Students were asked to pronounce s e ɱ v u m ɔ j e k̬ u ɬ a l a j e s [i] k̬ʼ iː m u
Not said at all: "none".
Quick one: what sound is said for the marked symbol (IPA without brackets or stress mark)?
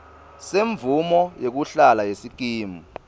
i